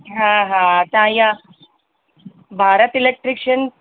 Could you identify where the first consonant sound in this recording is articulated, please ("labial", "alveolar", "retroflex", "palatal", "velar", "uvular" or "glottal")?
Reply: glottal